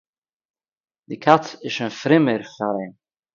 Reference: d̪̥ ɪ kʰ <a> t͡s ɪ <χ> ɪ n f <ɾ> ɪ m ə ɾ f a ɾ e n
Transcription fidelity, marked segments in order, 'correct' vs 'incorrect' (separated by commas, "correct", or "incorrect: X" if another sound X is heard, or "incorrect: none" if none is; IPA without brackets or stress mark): correct, incorrect: ʃ, correct